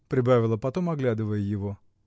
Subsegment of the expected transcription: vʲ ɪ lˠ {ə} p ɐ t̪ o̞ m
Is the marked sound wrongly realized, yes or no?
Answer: no